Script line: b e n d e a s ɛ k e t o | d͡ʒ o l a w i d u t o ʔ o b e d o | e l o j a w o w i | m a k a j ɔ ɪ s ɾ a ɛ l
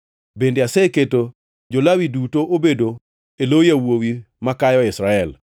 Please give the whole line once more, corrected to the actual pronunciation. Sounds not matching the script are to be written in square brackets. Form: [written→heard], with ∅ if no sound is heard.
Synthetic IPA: b e n d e a s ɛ k e t o | d͡ʒ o l a w i d u t o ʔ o b e d o | e l o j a w o w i | m a k a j ɔ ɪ s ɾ a ɛ l